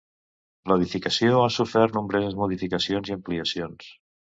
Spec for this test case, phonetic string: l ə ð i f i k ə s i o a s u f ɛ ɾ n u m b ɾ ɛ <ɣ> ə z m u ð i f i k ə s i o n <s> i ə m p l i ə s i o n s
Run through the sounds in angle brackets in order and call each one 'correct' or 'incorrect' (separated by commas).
incorrect, incorrect